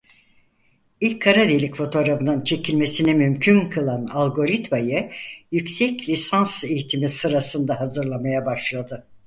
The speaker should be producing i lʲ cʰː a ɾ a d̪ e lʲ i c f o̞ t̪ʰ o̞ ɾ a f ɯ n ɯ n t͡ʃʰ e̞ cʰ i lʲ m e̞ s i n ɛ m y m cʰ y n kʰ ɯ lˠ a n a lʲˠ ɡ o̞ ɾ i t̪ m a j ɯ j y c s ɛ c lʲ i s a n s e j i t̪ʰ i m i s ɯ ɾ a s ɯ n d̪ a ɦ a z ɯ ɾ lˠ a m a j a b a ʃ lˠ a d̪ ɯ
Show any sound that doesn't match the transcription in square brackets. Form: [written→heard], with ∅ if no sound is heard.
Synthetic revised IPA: i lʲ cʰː a ɾ a d̪ e lʲ i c f o̞ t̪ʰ o̞ ɾ a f ɯ n ɯ n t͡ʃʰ e̞ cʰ i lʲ m e̞ s i n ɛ m y m cʰ y n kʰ ɯ lˠ a n a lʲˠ ɡ o̞ ɾ i t̪ m a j ɯ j y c s ɛ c lʲ i s a n s e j i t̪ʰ i m i s ɯ ɾ a s ɯ n d̪ a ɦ a z ɯ ɾ lˠ a m a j a b a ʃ lˠ a d̪ ɯ